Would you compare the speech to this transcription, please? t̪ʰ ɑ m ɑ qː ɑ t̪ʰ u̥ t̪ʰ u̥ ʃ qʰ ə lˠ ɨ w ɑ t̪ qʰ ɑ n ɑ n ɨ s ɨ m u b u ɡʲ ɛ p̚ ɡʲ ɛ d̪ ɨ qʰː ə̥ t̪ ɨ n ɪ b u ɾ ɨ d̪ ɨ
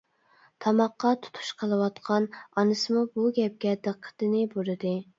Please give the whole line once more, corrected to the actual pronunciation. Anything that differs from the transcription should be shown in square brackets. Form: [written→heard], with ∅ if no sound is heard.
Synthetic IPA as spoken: t̪ʰ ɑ m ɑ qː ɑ t̪ʰ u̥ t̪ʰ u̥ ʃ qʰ ə lˠ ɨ w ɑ t̪ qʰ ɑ n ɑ n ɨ s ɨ m u b u ɡʲ ɛ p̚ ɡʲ ɛ d̪ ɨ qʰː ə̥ t̪ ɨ n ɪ b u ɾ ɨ d̪ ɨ